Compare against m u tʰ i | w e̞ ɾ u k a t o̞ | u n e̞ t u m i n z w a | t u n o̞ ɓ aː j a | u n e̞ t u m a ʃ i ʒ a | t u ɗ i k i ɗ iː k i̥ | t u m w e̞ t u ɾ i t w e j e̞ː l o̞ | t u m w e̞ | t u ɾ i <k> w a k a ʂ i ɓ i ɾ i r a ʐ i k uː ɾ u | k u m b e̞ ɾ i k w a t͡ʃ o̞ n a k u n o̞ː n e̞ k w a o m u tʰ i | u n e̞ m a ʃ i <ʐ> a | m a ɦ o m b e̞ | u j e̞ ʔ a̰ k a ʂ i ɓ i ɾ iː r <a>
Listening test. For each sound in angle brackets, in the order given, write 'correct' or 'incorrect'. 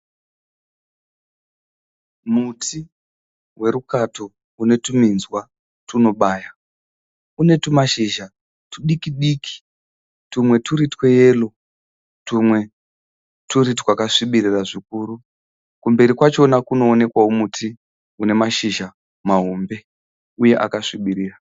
incorrect, incorrect, correct

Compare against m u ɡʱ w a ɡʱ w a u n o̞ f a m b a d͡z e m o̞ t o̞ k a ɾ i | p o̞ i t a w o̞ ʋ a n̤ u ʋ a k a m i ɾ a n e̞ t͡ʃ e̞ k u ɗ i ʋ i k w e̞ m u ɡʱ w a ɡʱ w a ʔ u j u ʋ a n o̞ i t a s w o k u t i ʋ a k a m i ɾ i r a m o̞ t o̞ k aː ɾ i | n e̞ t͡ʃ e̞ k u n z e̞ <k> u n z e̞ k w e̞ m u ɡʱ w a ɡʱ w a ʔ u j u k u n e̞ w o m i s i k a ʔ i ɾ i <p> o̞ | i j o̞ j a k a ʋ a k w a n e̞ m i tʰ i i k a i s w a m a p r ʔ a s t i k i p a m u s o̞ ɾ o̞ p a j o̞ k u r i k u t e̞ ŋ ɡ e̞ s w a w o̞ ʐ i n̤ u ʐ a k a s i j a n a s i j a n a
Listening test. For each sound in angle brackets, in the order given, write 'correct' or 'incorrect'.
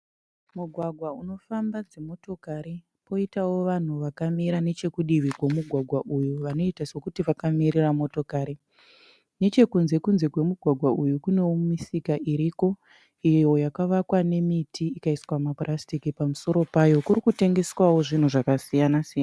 correct, incorrect

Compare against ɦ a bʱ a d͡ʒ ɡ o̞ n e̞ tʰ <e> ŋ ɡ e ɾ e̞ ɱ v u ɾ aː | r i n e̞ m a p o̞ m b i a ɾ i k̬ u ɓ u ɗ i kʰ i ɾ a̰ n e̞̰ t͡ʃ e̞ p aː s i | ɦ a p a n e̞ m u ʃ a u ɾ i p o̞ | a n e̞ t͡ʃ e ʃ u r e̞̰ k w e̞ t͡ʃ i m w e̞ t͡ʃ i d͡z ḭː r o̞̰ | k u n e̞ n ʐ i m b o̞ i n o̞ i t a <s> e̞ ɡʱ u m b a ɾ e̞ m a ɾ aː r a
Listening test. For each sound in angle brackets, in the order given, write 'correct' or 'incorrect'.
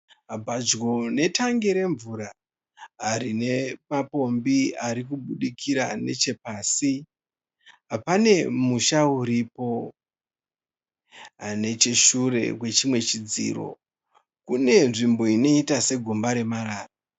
incorrect, correct

